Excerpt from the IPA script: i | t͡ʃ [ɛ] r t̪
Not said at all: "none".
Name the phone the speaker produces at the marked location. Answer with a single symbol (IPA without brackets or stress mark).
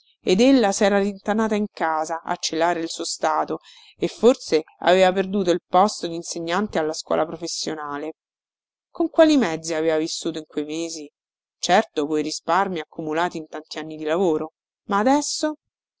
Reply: ɛ